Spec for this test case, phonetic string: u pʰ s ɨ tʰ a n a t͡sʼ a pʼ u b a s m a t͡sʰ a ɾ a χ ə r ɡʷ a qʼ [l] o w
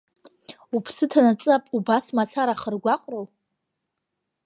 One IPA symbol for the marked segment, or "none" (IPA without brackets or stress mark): r